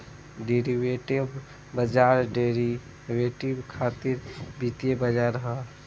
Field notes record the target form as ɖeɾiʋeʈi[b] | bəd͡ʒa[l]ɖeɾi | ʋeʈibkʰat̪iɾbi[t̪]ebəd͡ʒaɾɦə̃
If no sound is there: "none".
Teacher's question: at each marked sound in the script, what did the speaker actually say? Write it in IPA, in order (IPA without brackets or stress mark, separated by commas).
b, ɾ, t̪